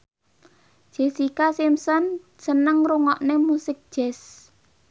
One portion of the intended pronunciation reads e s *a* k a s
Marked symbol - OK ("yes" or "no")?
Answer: no